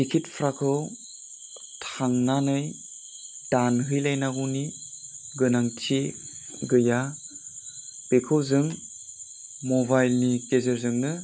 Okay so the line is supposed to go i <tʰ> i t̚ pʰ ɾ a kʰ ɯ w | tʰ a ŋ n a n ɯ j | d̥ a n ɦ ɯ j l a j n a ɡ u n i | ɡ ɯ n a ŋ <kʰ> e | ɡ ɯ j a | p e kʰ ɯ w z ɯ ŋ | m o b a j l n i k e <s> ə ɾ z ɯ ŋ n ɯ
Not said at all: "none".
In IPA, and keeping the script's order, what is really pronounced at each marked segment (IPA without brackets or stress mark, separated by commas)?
kʰ, tʰ, z